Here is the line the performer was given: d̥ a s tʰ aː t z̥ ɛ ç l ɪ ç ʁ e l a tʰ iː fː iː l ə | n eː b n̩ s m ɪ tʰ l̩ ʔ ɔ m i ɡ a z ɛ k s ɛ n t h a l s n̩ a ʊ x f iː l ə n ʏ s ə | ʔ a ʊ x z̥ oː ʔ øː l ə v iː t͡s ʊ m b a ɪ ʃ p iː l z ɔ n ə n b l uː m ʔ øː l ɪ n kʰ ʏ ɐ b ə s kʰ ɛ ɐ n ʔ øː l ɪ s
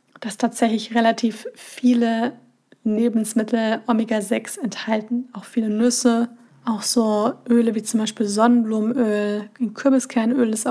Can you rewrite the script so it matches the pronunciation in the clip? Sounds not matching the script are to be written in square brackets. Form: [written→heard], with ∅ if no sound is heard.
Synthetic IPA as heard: d̥ a s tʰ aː t z̥ ɛ ç l ɪ ç ʁ e l a tʰ iː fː iː l ə | n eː b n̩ s m ɪ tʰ l̩ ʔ ɔ m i ɡ a z ɛ k s ɛ n t h a l [s→t] n̩ a ʊ x f iː l ə n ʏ s ə | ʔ a ʊ x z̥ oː ʔ øː l ə v iː t͡s ʊ m b a ɪ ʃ p iː l z ɔ n ə n b l uː m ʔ øː l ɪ n kʰ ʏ ɐ b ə s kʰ ɛ ɐ n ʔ øː l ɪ s